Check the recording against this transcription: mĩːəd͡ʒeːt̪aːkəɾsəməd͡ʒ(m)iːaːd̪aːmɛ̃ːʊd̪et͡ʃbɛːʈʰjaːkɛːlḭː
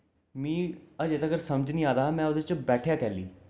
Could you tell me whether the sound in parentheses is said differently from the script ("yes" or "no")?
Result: yes